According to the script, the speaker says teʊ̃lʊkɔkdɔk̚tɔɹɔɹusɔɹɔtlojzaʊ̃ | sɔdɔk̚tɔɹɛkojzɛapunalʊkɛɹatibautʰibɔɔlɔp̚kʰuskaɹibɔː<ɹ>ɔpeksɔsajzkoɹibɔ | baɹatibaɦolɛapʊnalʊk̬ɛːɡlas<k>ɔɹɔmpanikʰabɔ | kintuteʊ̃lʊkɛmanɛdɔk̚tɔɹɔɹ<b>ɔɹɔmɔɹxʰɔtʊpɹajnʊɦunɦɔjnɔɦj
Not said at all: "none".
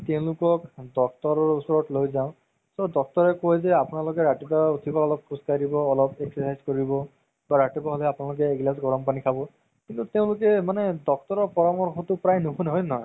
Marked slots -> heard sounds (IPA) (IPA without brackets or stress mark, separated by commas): l, ɡ, p